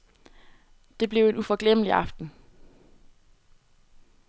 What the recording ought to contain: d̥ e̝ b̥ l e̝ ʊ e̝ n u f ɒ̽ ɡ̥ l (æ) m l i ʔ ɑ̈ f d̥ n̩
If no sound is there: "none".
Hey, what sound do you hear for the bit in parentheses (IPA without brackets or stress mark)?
e